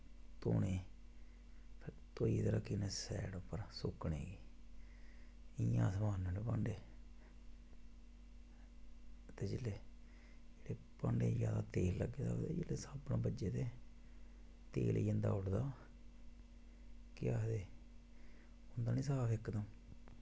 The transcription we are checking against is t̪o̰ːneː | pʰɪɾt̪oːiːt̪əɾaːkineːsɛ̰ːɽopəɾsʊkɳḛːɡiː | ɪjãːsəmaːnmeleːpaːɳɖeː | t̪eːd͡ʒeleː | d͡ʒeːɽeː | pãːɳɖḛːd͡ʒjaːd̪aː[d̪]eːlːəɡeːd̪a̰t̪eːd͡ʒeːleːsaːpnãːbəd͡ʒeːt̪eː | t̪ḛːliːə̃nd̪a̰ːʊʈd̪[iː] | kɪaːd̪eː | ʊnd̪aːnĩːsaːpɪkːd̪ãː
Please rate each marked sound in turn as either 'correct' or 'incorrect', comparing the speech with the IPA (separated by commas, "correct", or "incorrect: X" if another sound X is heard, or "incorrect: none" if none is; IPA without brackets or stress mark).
incorrect: t̪, incorrect: aː